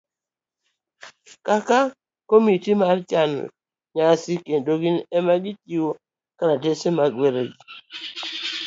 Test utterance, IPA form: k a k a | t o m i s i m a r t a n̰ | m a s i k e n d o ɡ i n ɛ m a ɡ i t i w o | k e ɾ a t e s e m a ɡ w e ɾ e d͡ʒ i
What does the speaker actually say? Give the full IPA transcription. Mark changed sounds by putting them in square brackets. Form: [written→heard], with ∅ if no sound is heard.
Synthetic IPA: k a k a | [t→k] o m i [s→t] i m a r [t→t͡ʃ] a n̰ | [m→ɲ] a s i k e n d o ɡ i n ɛ m a ɡ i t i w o | k [e→a] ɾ a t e s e m a ɡ w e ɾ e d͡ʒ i